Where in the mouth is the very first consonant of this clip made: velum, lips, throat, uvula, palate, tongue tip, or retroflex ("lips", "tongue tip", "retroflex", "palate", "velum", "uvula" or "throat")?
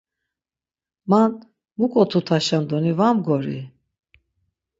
lips